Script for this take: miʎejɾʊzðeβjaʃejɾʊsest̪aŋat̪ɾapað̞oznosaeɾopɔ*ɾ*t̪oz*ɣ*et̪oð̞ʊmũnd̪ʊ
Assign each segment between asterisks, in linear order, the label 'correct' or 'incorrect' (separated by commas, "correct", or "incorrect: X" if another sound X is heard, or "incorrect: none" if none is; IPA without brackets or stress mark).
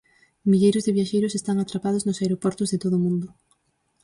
correct, incorrect: ð